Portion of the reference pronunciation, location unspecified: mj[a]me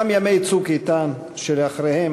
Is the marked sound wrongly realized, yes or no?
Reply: no